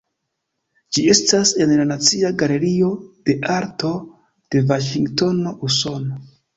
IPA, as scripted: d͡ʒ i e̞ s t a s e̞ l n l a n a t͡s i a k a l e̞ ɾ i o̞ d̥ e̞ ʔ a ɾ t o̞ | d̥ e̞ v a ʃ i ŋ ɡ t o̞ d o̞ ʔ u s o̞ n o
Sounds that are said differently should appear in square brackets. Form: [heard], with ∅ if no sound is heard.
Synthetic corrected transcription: d͡ʒ i e̞ s t a s e̞ [∅] n l a n a t͡s i a [ɡ] a l e̞ ɾ i o̞ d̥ e̞ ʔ a ɾ t o̞ | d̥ e̞ v a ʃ i ŋ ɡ t o̞ [n] o̞ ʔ u s o̞ n o